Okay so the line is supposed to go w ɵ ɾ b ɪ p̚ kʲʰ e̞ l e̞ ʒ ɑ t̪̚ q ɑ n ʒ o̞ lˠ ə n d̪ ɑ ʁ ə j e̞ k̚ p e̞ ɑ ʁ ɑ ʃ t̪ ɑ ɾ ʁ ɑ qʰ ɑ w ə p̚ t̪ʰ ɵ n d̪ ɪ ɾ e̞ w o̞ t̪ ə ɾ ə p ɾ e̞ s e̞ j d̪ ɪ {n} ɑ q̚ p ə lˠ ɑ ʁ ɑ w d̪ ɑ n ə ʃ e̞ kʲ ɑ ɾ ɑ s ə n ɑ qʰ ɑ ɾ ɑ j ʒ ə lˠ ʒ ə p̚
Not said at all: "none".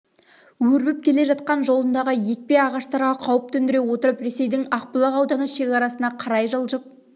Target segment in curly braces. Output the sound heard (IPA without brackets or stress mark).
ŋ